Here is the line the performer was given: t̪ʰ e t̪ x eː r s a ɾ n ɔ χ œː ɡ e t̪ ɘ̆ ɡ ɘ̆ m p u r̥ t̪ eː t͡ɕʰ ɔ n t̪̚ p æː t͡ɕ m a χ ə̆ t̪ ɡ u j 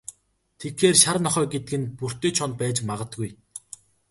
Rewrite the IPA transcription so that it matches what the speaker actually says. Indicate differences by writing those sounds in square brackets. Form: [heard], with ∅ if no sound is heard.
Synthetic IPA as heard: t̪ʰ e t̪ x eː r [ʃ] a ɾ n ɔ χ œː ɡ e t̪ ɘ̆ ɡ ɘ̆ [n] p u r̥ t̪ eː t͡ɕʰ ɔ n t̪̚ p æː t͡ɕ m a [ʁ] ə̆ t̪ ɡ u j